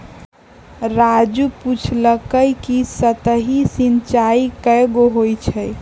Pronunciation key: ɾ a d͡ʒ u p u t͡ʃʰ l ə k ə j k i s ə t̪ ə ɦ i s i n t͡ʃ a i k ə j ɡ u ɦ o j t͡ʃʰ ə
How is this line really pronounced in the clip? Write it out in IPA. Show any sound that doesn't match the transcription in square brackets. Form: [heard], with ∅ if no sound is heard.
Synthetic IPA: ɾ a d͡ʒ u p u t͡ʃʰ l ə k ə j k i s ə t̪ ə ɦ i s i n t͡ʃ a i k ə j ɡ [o] ɦ o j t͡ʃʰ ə

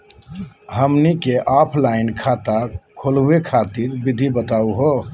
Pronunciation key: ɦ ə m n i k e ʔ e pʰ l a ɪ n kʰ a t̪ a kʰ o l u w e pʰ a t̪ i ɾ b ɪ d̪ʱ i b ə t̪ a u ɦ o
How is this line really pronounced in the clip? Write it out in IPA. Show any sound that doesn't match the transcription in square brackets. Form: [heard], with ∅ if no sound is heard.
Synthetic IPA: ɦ ə m n i k e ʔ [a] pʰ l a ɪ n kʰ a t̪ a kʰ o l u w e [kʰ] a t̪ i ɾ b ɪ d̪ʱ i b ə t̪ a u ɦ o

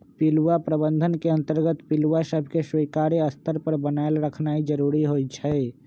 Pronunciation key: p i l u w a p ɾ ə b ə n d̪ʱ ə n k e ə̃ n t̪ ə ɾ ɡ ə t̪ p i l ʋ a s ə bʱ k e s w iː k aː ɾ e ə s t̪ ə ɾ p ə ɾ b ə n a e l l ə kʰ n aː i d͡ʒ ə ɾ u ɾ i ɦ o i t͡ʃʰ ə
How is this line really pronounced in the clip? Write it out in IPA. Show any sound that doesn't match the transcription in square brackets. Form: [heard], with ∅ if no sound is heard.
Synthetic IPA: p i l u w a p ɾ ə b ə n d̪ʱ ə n k e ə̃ n t̪ ə ɾ ɡ ə t̪ p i l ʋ a s ə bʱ k e s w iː k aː ɾ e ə s t̪ ə ɾ p ə ɾ b ə n a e l [ɾ] ə kʰ n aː i d͡ʒ ə ɾ u ɾ i ɦ o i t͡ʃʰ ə

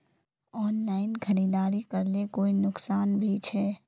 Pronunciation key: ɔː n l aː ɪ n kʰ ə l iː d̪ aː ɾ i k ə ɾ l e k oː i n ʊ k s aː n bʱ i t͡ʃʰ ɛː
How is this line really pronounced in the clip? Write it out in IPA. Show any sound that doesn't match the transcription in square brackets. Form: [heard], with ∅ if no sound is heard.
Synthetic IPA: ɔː n l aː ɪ n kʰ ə [ɾ] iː d̪ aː ɾ i k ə ɾ l e k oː i n ʊ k s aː n bʱ i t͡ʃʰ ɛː

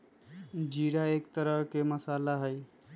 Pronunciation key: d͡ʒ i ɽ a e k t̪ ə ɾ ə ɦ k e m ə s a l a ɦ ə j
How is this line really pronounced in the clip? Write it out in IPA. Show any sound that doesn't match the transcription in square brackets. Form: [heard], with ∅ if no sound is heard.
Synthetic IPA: d͡ʒ i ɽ a e k t̪ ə ɾ ə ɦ k e m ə s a l a ɦ ə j

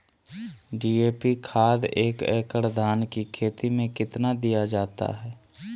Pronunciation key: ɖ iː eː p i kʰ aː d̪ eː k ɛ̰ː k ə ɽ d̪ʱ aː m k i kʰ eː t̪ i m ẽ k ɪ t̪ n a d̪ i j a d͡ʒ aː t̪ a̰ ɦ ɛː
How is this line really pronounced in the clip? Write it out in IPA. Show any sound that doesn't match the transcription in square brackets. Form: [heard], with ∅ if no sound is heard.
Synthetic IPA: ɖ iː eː p i kʰ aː d̪ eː k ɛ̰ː k ə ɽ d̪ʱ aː [n] k i kʰ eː t̪ i m ẽ k ɪ t̪ n a d̪ i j a d͡ʒ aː t̪ a̰ ɦ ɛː

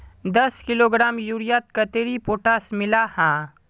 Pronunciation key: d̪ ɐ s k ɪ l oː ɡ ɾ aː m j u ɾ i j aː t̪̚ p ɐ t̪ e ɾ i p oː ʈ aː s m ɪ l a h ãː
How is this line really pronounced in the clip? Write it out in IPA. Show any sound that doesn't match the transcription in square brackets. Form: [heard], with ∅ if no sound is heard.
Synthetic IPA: d̪ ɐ s k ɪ l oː ɡ ɾ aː m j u ɾ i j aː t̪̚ [k] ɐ t̪ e ɾ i p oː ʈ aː s m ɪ l a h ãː

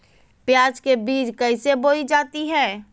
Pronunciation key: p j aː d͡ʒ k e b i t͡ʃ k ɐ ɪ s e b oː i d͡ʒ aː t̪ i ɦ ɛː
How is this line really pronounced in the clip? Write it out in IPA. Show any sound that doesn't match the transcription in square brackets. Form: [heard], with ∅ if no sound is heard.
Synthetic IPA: p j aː d͡ʒ k e b [iː] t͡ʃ k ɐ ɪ s e b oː i d͡ʒ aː t̪ i ɦ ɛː

